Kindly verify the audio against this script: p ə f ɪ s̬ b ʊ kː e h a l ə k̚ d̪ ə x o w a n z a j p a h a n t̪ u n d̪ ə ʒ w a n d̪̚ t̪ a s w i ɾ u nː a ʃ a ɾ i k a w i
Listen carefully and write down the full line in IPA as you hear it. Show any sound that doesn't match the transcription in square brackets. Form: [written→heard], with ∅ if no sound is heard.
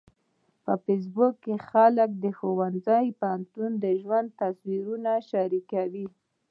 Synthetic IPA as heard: p ə f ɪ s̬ b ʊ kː e [h→x] a l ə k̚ d̪ ə x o w a n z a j p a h a n t̪ u n d̪ ə ʒ w a n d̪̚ t̪ a s w i ɾ u [nː→n] a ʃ a ɾ i k a w i